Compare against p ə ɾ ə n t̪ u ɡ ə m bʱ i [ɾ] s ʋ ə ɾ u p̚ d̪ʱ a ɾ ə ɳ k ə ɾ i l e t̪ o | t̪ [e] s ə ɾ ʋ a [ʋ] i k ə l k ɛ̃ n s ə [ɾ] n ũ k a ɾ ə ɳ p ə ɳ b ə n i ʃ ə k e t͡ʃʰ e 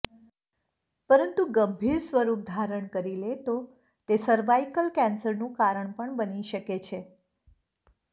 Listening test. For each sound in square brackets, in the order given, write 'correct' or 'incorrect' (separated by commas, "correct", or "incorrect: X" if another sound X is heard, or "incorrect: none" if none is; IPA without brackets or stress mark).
correct, correct, incorrect: none, correct